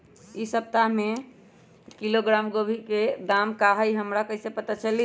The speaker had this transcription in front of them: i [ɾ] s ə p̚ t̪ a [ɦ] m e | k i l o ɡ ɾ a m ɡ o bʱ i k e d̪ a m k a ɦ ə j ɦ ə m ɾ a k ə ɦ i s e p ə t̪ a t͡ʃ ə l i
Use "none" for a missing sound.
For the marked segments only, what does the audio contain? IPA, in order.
none, ɦ

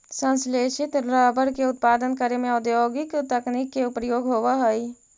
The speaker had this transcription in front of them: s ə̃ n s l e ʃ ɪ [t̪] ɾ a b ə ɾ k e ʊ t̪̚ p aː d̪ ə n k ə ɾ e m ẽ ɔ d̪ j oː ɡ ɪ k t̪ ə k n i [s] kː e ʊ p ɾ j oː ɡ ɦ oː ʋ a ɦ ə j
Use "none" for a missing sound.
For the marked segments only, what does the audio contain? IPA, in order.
t̪, none

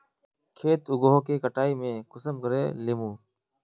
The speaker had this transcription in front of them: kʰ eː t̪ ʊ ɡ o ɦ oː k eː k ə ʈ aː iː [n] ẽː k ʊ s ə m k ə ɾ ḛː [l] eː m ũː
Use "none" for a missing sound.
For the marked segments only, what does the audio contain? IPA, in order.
m, l

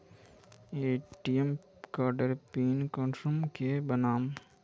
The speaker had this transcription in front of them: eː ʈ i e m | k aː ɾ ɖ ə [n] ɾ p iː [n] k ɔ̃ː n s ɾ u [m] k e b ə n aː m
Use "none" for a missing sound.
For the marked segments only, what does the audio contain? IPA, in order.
none, n, m

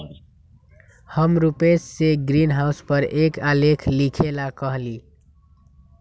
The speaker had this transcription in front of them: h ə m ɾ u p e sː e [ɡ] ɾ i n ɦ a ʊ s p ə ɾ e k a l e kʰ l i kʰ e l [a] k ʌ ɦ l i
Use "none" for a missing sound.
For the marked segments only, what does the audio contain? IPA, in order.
ɡ, a

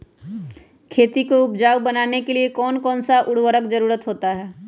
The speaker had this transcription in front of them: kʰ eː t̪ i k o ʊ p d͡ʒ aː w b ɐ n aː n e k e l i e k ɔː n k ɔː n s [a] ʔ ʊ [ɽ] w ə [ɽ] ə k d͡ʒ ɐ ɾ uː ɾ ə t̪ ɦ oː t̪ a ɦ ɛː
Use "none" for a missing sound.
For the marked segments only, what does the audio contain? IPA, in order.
a, ɽ, ɾ

